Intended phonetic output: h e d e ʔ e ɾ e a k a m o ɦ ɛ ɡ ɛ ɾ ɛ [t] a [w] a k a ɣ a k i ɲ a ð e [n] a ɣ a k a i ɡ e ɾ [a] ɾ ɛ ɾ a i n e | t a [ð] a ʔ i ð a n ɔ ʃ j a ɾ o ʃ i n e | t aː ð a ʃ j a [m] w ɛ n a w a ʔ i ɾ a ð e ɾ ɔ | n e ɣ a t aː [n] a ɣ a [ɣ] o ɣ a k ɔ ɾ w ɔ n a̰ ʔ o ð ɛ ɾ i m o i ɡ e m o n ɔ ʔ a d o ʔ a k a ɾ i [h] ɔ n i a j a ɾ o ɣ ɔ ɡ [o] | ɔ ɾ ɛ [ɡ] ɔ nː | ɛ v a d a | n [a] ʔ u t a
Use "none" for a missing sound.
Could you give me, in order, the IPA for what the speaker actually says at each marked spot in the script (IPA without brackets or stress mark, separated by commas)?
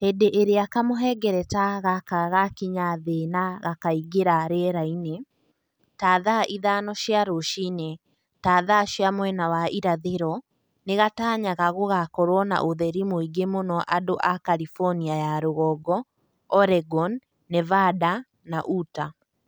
t, ɣ, n, a, ð, m, ɲ, ɣ, f, ɔ, ɡ, a